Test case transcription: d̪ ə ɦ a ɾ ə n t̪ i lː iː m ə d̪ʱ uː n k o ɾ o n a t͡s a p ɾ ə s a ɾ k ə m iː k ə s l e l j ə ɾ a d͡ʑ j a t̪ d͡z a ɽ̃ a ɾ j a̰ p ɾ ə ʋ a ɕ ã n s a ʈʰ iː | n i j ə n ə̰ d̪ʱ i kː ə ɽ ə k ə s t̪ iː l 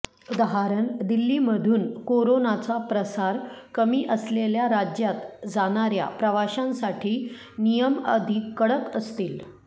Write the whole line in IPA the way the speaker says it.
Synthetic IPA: d̪ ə ɦ a ɾ ə n d̪ i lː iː m ə d̪ʱ uː n k o ɾ o n a t͡s a p ɾ ə s a ɾ k ə m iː ʔ ə s l e l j a ɾ a d͡ʑ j a t̪ d͡z a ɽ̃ a ɾ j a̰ p ɾ ə ʋ a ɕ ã n s a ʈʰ iː | n i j ə m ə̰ d̪ʱ i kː ə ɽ ə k ə s t̪ iː l